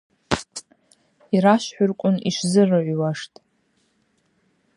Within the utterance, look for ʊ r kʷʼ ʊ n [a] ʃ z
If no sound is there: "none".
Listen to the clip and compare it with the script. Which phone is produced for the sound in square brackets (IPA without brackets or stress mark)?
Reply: i